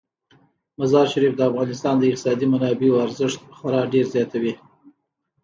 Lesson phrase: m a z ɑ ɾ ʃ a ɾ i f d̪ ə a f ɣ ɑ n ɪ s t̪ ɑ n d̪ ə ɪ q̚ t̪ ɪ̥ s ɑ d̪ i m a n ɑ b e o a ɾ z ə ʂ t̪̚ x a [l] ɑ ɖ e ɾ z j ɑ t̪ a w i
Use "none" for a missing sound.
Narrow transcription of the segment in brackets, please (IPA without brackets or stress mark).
ɾ